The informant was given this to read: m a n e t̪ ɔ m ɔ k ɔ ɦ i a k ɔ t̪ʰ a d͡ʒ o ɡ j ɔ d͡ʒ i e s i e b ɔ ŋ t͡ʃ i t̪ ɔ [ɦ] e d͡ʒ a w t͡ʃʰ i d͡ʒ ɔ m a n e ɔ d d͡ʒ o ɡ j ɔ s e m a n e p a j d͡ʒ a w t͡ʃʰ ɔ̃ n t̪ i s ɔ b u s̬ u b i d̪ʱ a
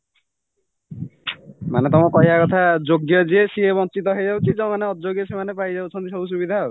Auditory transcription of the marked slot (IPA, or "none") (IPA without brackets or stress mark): ɦ